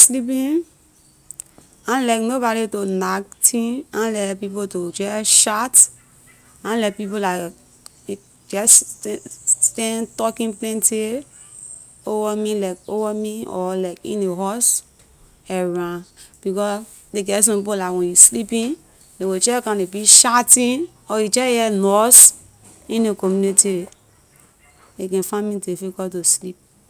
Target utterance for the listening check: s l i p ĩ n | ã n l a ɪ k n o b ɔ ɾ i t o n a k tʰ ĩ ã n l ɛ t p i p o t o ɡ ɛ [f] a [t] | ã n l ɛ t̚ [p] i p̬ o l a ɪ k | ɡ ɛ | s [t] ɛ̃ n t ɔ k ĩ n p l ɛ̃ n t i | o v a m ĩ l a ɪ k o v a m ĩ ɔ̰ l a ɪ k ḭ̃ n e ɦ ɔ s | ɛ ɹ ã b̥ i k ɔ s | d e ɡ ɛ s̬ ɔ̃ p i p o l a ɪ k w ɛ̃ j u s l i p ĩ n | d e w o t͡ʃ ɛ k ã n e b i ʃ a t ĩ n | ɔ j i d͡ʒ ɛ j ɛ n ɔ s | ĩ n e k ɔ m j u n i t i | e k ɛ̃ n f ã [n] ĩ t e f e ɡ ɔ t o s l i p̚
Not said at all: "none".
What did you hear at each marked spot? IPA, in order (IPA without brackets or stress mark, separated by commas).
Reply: ʃ, t, p, t, m